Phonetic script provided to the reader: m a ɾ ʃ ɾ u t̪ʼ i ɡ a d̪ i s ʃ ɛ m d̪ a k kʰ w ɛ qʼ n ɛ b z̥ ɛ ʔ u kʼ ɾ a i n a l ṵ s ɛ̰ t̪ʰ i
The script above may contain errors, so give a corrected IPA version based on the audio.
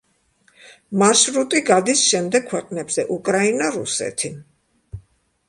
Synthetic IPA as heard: m a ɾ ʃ ɾ u t̪ʼ i ɡ a d̪ i s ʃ ɛ m d̪ ɛ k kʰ w ɛ qʼ n ɛ b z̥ ɛ ʔ u kʼ ɾ a i n a ɾ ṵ s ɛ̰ t̪ʰ i